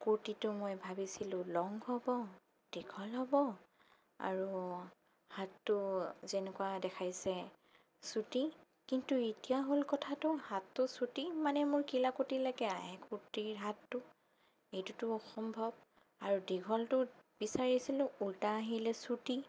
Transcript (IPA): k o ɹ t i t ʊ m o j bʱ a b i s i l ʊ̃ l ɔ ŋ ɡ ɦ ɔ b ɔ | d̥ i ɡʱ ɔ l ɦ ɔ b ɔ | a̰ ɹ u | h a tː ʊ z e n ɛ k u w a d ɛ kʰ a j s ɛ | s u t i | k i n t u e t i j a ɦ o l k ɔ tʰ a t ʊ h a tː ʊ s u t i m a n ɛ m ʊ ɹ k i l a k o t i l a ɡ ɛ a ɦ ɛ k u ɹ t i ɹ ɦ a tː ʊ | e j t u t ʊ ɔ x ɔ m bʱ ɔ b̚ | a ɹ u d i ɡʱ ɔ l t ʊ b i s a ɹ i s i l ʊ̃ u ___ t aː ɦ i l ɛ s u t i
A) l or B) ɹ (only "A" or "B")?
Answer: A